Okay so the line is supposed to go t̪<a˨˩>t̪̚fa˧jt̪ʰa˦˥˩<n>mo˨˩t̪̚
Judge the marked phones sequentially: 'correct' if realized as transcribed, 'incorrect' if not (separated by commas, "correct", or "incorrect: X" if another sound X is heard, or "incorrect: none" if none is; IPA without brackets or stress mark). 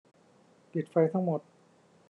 incorrect: i˨˩, incorrect: ŋ